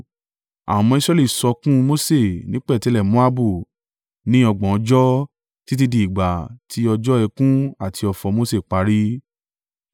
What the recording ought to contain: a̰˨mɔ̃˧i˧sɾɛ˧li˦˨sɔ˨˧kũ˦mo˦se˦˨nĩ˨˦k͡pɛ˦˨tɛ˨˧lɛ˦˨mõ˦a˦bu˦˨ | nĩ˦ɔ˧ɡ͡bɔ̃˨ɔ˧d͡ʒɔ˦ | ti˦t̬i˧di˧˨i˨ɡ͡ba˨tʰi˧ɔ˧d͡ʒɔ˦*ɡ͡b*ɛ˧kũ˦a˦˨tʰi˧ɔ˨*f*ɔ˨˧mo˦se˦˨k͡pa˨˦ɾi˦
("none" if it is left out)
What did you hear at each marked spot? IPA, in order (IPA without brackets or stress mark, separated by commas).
none, f